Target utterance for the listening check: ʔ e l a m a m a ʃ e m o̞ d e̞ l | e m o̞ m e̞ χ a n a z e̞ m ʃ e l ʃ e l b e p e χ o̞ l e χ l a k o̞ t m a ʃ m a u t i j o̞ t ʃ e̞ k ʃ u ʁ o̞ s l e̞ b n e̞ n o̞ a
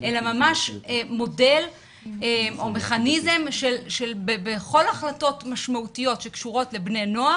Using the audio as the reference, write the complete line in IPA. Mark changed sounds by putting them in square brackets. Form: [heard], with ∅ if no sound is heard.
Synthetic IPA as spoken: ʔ e l a m a m a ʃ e m o̞ d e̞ l | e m o̞ m e̞ χ a n [i] z e̞ m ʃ e l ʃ e l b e [b] e χ o̞ l [a] χ l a [t] o̞ t m a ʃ m a u t i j o̞ t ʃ e̞ k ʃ u ʁ o̞ [t] l e̞ b n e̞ n o̞ a